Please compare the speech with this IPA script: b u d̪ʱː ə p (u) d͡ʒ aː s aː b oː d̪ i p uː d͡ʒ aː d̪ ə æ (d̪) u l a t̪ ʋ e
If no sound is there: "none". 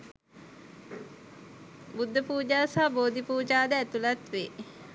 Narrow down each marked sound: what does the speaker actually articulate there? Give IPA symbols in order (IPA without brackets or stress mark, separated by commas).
uː, t̪